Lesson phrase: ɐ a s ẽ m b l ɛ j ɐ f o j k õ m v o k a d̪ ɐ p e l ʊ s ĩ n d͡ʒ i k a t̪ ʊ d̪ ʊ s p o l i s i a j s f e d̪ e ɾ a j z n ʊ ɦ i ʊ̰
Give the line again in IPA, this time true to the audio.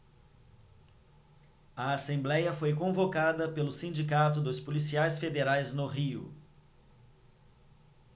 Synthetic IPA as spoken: ɐ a s ẽ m b l ɛ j ɐ f o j k õ v o k a d̪ ɐ p e l ʊ s ĩ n d͡ʒ i k a t̪ ʊ d̪ ʊ s p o l i s i a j s f e d̪ e ɾ a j z n ʊ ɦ i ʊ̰